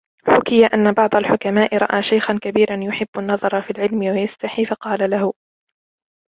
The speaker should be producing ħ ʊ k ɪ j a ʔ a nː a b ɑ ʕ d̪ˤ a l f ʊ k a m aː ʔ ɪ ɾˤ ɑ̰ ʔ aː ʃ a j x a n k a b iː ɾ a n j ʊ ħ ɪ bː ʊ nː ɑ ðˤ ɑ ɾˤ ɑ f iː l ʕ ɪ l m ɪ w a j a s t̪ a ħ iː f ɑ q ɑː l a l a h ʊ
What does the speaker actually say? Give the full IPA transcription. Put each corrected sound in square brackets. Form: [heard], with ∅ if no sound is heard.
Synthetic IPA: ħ ʊ k ɪ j a ʔ a nː a b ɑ ʕ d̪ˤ a l [ħ] ʊ k a m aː ʔ ɪ ɾˤ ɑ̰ ʔ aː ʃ a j x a n k a b iː ɾ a n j ʊ ħ ɪ bː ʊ nː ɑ ðˤ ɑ ɾˤ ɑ f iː l ʕ ɪ l m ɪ w a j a s t̪ a ħ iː f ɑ q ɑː l a l a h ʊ

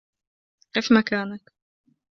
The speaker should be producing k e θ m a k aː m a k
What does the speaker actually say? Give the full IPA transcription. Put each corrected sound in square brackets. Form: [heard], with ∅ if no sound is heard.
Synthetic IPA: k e [f] m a k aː [n] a k

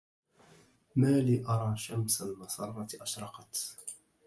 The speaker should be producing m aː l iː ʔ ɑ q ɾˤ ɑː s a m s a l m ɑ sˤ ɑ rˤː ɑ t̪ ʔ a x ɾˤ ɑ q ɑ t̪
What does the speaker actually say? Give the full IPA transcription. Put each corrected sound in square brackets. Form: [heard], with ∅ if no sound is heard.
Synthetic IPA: m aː l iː ʔ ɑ [∅] ɾˤ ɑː [ʃ] a m s a l m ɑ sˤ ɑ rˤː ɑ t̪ ʔ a [ʃ] ɾˤ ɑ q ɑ t̪

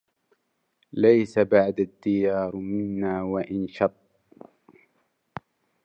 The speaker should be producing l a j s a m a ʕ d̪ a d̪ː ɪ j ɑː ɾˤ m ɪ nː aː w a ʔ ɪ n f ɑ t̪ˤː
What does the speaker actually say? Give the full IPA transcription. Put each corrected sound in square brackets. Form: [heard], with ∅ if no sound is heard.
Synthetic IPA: l a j s a [b] a ʕ d̪ a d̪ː ɪ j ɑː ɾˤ m ɪ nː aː w a ʔ ɪ n [ʃ] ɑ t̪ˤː

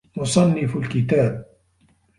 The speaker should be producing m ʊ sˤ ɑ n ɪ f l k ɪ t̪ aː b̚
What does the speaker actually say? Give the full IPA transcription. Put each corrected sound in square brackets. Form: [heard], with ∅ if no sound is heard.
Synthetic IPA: m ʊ sˤ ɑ [nː] ɪ f l k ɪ t̪ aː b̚

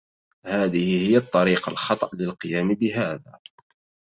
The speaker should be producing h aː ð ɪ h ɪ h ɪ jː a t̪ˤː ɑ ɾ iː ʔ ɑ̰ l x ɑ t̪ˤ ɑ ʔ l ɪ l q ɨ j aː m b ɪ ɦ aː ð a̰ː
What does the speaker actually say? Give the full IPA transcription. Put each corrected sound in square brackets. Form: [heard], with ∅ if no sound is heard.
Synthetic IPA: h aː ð ɪ h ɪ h ɪ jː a t̪ˤː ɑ ɾ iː [q] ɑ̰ l x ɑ t̪ˤ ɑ ʔ l ɪ l q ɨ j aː m b ɪ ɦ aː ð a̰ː

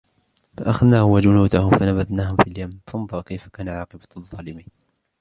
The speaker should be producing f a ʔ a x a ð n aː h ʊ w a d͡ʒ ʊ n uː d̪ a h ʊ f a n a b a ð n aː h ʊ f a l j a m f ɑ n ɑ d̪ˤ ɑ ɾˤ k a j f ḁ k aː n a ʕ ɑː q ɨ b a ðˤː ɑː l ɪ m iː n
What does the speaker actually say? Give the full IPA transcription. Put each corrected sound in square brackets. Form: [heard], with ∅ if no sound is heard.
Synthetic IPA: f a ʔ a x a ð n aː h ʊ w a d͡ʒ ʊ n uː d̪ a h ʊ f a n a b a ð n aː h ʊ f [i] l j a m f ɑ n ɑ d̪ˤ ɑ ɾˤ k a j f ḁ k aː n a ʕ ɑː q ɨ b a ðˤː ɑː l ɪ m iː n

